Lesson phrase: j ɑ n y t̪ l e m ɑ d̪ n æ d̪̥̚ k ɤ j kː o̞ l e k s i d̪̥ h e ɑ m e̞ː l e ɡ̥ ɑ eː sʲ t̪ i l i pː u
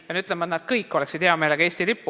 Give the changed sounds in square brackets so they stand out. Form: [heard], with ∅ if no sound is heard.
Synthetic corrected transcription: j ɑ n y t̪ l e m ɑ [t̪] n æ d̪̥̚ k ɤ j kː o̞ l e k s i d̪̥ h e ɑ m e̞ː l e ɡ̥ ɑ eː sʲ t̪ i l i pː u